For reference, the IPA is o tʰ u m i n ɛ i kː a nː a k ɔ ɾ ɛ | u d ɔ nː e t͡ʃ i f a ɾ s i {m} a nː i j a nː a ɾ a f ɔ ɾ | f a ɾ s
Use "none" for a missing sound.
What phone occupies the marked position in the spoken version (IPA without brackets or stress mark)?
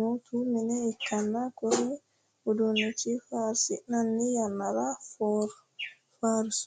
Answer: n